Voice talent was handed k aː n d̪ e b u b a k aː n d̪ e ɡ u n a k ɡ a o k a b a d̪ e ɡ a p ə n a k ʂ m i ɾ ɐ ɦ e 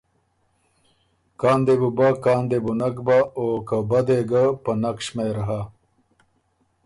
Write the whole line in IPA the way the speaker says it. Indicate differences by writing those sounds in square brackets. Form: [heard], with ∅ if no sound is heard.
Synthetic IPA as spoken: k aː n d̪ e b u b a k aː n d̪ e [b] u n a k [b] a o k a b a d̪ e ɡ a p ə n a k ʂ m [e] ɾ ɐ ɦ [a]